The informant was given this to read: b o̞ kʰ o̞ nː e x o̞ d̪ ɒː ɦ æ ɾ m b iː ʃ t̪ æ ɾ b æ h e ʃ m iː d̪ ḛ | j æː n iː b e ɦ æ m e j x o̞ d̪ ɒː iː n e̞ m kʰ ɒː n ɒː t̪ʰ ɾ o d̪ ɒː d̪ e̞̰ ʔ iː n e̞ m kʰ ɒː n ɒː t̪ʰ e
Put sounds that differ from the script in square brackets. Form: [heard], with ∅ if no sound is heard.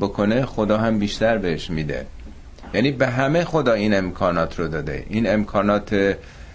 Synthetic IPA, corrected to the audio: b o̞ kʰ o̞ [n] e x o̞ d̪ ɒː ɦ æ [∅] m b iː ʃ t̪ æ ɾ b [e] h e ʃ m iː d̪ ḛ | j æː n iː b e ɦ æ m e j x o̞ d̪ ɒː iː n e̞ m kʰ ɒː n ɒː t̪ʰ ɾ o d̪ ɒː d̪ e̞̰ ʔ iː n e̞ m kʰ ɒː n ɒː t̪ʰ e